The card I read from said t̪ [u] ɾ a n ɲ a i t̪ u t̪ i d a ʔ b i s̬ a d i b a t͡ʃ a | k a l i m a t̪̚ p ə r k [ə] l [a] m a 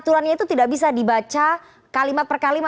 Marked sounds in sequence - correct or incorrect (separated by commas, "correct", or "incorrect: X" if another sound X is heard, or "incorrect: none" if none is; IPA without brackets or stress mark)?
correct, incorrect: a, incorrect: i